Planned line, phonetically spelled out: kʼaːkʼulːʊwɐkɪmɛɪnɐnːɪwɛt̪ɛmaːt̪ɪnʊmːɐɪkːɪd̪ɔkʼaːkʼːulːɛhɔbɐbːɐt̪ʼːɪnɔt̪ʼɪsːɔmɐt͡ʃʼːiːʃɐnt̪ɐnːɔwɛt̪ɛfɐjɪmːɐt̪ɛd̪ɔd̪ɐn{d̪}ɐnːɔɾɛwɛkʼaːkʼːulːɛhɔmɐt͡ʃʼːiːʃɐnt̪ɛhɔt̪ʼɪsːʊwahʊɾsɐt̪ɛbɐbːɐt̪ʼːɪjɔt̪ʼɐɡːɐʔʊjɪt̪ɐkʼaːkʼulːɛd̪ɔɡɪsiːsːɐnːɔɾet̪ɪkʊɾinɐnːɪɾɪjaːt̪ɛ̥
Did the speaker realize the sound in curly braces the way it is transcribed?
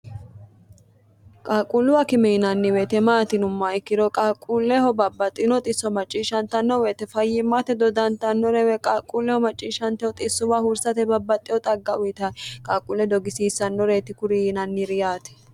no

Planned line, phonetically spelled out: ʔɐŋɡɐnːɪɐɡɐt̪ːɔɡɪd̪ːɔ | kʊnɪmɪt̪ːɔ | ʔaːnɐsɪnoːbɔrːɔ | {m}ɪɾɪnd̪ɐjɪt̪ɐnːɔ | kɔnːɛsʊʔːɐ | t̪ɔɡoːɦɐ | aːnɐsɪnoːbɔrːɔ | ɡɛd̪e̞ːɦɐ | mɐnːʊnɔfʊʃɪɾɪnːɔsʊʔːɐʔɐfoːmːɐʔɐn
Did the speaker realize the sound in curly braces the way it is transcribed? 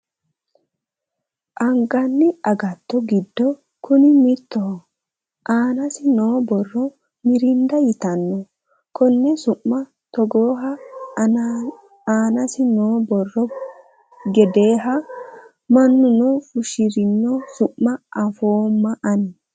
yes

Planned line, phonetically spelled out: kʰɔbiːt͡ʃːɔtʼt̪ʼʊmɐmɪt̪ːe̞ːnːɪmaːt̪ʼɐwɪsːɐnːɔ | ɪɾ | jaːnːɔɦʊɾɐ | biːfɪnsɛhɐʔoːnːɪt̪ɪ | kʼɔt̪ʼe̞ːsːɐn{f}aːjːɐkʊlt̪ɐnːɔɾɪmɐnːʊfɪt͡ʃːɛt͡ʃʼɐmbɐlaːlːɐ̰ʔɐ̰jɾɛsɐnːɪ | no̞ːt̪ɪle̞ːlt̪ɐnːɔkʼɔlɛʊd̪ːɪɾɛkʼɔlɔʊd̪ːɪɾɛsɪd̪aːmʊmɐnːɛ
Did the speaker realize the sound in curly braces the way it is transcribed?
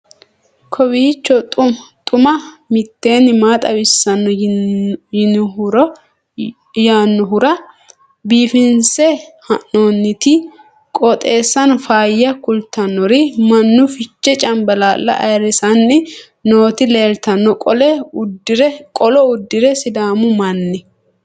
yes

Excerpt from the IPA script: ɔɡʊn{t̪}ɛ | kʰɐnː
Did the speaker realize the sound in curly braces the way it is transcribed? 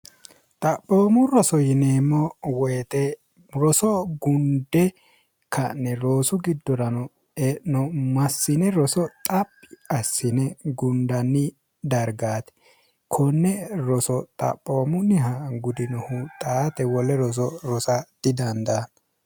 no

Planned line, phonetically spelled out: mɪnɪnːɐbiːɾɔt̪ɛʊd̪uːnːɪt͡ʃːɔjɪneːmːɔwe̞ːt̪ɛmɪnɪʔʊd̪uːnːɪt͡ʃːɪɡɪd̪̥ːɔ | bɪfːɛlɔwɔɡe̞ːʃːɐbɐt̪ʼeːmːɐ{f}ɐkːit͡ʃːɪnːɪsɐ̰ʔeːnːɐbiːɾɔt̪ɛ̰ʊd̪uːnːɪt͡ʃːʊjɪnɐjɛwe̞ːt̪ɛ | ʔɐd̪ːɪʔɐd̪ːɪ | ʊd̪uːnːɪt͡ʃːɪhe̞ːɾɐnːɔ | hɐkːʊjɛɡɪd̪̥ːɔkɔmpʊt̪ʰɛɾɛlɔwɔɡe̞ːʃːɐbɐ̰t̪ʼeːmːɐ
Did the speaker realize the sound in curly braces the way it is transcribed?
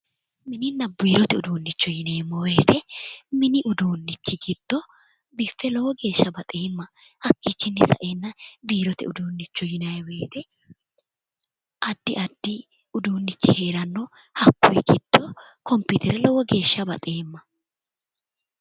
no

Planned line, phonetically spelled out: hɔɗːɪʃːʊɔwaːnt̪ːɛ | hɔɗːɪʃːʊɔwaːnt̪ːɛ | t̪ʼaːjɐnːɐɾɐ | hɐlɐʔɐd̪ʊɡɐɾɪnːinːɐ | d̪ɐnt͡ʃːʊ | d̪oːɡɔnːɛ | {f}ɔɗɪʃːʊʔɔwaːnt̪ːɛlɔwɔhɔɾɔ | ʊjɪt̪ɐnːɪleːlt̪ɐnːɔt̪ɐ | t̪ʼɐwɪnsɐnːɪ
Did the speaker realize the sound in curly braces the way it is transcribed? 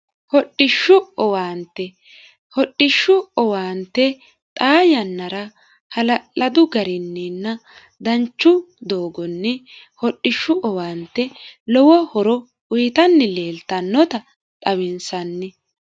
no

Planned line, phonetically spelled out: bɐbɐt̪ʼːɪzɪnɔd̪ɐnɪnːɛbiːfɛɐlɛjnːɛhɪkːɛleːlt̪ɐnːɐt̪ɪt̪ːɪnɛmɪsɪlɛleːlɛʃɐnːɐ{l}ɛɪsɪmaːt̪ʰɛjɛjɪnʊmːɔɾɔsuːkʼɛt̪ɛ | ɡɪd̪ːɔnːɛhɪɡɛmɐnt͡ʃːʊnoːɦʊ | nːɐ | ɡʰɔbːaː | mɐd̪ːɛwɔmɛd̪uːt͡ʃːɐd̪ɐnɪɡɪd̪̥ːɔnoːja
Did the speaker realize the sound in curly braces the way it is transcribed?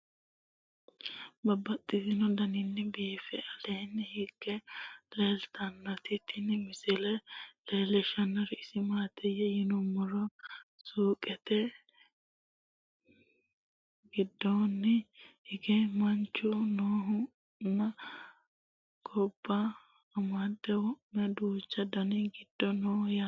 no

